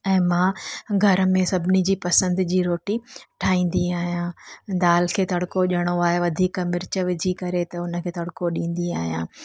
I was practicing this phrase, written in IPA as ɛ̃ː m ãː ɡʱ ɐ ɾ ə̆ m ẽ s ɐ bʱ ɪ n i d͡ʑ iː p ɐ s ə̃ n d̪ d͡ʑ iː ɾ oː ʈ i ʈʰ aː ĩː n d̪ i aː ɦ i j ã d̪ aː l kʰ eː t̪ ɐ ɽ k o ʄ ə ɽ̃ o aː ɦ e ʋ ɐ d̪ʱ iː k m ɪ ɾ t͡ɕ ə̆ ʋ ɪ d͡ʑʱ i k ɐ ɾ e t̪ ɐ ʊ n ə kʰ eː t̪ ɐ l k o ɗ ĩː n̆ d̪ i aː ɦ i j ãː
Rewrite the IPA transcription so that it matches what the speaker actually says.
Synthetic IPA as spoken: ɛ̃ː m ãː ɡʱ ɐ ɾ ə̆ m ẽ s ɐ bʱ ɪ n i d͡ʑ iː p ɐ s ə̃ n d̪ d͡ʑ iː ɾ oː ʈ i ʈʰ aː ĩː n d̪ i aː ɦ i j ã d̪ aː l kʰ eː t̪ ɐ ɽ k o ʄ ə ɽ̃ o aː ɦ e ʋ ɐ d̪ʱ iː k m ɪ ɾ t͡ɕ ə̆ ʋ ɪ d͡ʑʱ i k ɐ ɾ e t̪ ɐ ʊ n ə kʰ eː t̪ ɐ ɽ k o ɗ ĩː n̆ d̪ i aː ɦ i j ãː